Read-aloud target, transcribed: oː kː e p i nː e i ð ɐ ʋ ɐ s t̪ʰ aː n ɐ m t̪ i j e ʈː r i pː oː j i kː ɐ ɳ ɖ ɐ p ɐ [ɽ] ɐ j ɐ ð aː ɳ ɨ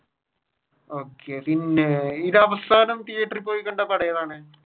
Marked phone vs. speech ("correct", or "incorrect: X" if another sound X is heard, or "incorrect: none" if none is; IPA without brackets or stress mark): correct